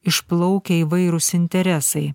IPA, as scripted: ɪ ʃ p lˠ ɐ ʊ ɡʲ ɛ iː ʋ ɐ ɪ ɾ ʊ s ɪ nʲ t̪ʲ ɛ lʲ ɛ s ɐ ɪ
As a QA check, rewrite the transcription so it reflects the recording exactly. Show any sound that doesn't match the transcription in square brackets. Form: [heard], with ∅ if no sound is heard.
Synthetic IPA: ɪ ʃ p lˠ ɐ ʊ [kʲ] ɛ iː ʋ ɐ ɪ ɾ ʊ s ɪ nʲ t̪ʲ ɛ [ɾʲ] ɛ s ɐ ɪ